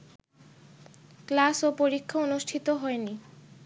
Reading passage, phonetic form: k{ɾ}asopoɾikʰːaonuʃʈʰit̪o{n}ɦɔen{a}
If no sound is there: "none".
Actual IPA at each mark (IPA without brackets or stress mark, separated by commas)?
l, none, i